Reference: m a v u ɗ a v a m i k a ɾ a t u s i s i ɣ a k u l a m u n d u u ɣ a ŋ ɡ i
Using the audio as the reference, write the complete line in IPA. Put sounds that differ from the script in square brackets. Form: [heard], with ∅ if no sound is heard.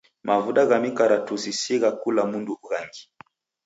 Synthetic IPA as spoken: m a v u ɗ a [ɣ] a m i k a ɾ a t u s i s i ɣ a k u l a m u n d u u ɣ a ŋ ɡ i